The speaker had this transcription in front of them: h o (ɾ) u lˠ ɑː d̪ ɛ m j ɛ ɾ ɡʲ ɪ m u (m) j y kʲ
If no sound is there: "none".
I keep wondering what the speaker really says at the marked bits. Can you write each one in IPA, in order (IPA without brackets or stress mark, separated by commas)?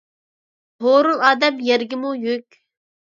ɾ, none